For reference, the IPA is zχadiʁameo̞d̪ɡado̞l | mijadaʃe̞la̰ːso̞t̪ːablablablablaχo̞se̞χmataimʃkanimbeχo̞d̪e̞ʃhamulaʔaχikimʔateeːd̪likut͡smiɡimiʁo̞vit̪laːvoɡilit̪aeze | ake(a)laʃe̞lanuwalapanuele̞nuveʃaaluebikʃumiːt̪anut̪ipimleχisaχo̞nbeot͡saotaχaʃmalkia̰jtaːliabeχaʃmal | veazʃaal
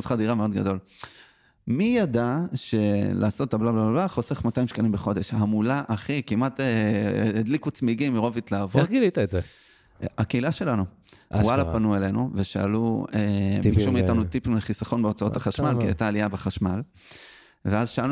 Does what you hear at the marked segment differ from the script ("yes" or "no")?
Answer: yes